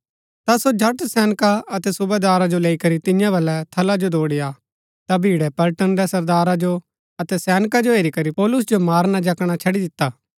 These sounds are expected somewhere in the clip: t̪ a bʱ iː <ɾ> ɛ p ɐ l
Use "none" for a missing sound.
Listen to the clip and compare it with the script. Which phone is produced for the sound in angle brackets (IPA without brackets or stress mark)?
ɽ